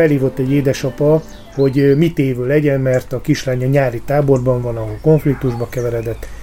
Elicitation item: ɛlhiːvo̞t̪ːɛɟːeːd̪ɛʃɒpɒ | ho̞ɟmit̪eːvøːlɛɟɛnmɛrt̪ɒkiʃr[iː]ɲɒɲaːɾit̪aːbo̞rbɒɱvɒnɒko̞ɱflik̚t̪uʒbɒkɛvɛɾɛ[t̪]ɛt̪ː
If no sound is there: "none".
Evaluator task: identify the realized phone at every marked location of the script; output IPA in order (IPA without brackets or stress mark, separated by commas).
aː, d̪